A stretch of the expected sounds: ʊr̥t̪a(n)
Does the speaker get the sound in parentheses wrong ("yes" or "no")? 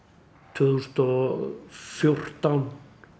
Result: no